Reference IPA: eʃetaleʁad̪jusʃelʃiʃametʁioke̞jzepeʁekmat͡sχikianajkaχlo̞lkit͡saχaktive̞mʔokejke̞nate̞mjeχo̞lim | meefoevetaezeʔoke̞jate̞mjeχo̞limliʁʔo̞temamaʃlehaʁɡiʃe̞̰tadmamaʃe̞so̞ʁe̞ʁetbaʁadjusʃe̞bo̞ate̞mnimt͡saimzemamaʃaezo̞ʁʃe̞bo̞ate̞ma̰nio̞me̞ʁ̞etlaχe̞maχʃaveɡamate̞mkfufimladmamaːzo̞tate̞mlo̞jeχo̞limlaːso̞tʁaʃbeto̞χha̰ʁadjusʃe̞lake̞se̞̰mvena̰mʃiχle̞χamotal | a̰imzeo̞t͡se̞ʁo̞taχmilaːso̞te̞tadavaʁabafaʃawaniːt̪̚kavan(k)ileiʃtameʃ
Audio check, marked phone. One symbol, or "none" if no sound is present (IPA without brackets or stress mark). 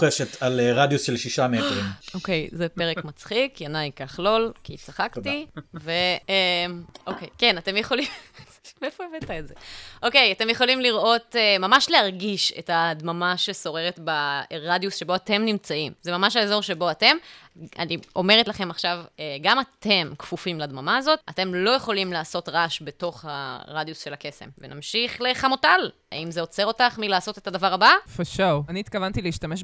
t